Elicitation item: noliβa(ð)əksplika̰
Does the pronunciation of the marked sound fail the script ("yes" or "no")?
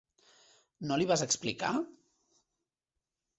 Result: yes